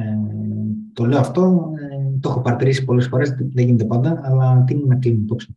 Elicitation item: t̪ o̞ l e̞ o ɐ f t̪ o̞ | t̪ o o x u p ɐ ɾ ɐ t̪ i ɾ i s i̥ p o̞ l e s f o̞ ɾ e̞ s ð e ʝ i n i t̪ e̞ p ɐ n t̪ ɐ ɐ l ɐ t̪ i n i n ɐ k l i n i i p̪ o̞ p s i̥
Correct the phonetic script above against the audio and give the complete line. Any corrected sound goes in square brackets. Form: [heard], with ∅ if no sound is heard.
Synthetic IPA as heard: t̪ o̞ l e̞ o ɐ f t̪ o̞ | t̪ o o x [o] p ɐ ɾ ɐ t̪ i ɾ i s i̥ p o̞ l e s f o̞ ɾ e̞ s ð e ʝ i n [e] t̪ e̞ p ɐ n [d̪] ɐ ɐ l ɐ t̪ i n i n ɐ k l i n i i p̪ o̞ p s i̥